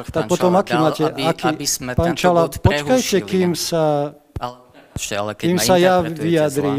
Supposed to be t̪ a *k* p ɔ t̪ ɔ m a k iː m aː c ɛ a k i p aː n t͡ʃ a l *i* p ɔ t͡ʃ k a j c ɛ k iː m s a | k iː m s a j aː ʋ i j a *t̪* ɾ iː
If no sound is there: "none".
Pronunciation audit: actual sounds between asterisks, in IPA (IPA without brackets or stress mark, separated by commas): k, a, d̪